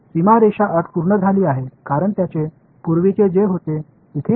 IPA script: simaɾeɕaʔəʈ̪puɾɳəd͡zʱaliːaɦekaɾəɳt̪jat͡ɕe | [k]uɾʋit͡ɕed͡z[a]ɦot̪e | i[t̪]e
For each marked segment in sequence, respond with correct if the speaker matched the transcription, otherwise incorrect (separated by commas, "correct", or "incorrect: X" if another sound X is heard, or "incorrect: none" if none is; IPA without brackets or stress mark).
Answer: incorrect: p, incorrect: e, incorrect: t̪ʰ